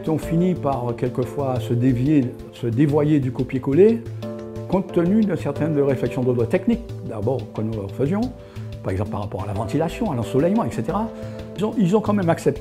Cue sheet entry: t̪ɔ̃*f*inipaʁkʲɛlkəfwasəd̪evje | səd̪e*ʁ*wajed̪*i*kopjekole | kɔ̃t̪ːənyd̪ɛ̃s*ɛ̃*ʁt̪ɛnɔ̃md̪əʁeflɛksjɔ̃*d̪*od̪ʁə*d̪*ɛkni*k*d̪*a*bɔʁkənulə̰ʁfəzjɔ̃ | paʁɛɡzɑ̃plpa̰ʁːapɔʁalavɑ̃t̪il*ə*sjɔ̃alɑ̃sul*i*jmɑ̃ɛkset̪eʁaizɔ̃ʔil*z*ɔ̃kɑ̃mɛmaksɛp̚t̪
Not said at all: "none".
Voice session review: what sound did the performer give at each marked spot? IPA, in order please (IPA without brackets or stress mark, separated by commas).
f, v, y, ɛ, d̪, t̪, k, a, a, ɛ, z